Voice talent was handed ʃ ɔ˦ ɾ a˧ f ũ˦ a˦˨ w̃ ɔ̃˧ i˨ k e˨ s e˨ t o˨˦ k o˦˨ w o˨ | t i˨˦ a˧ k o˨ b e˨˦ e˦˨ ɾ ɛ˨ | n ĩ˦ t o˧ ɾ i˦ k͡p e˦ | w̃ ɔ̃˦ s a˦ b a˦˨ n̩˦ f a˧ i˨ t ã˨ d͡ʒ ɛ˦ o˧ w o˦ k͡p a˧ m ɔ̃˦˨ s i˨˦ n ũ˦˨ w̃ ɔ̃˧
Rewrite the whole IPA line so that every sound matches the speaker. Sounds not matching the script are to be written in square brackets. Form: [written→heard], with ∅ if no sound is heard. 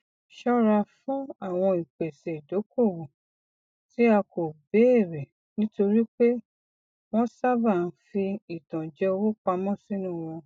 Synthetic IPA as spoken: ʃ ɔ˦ ɾ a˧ f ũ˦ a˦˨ w̃ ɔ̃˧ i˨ [k→k͡p] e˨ s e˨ [t→d] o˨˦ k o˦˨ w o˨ | t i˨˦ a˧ k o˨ b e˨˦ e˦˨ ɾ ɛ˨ | n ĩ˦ t o˧ ɾ i˦ k͡p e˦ | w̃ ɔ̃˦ s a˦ b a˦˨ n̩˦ f [a˧→i˧] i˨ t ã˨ d͡ʒ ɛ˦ o˧ w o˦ k͡p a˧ m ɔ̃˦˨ s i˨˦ n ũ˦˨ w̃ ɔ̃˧